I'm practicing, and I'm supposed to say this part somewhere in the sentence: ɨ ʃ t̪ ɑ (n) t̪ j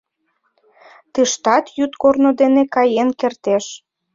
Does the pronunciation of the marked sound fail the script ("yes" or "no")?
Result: yes